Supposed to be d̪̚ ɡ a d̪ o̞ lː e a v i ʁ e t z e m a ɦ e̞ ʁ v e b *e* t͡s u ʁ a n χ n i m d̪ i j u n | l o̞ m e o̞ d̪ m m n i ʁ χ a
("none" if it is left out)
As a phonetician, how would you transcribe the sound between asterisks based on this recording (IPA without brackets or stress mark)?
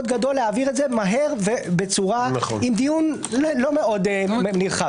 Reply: e